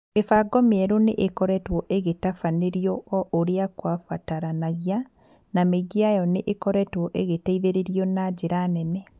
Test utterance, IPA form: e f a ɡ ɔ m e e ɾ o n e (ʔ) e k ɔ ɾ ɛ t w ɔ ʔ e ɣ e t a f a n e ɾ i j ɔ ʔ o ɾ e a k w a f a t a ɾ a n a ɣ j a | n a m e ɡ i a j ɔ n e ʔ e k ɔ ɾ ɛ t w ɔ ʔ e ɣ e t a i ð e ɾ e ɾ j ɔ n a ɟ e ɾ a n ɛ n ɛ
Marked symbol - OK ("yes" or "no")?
yes